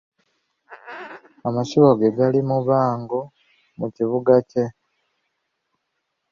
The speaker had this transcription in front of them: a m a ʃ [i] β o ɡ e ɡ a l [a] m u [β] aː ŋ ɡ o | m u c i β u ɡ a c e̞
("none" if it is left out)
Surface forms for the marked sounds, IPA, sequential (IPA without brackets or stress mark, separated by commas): i, i, β